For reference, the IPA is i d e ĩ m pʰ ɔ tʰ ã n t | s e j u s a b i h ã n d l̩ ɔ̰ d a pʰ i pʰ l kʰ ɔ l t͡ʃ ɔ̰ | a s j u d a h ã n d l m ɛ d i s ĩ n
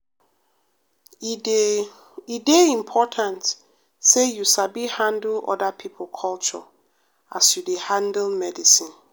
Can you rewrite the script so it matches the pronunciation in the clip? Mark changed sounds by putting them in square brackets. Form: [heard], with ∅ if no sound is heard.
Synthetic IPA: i d e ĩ m pʰ ɔ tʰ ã n t | s e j u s a b i h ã n d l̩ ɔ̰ d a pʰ i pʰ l kʰ ɔ l t͡ʃ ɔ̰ | a s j u d [e] h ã n d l m ɛ d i s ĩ n